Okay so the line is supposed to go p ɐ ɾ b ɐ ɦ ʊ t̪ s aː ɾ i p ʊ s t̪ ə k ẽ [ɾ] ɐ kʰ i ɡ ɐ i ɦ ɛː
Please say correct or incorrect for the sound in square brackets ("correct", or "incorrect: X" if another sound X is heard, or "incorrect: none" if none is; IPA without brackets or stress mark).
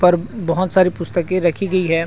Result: correct